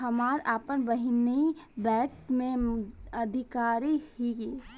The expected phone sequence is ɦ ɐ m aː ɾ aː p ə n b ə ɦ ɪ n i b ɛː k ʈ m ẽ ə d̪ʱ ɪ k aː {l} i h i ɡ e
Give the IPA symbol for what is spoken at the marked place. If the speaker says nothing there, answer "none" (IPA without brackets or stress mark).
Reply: ɾ